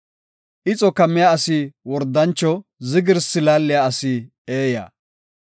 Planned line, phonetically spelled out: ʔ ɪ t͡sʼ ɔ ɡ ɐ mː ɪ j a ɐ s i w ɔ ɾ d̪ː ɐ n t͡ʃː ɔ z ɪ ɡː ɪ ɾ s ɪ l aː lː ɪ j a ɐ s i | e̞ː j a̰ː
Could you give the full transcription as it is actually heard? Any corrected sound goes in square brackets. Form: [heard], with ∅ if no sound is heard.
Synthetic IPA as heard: ʔ ɪ t͡sʼ ɔ [k] ɐ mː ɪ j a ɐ s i w ɔ ɾ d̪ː ɐ n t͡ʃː ɔ z ɪ [ɡ] ɪ ɾ s ɪ l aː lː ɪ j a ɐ s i | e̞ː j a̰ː